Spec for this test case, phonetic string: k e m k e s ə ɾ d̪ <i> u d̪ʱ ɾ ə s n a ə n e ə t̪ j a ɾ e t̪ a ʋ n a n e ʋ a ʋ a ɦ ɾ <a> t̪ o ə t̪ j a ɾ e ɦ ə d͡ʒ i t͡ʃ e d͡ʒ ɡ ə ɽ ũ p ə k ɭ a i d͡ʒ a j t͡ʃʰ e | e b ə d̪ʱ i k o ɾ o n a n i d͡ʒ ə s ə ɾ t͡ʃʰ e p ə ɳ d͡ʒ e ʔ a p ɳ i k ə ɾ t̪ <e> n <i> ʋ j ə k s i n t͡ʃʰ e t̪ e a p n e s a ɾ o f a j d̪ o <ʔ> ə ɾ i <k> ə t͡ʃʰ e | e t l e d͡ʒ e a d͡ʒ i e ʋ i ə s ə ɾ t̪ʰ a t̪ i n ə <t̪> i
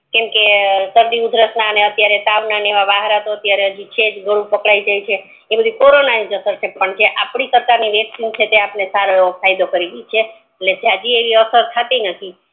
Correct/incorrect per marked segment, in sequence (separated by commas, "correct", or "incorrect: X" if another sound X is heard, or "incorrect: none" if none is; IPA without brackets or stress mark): correct, correct, incorrect: a, correct, incorrect: k, incorrect: ɡ, incorrect: t̪ʰ